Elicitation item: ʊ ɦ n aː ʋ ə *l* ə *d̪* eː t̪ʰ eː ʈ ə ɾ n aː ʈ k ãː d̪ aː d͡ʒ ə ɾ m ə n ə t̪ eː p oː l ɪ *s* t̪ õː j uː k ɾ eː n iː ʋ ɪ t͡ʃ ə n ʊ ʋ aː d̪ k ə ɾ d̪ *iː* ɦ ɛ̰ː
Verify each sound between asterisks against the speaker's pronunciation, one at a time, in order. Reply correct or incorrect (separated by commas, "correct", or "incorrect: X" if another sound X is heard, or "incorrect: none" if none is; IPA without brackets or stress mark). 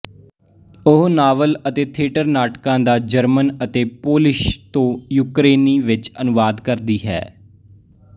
correct, incorrect: t̪, incorrect: ʃ, correct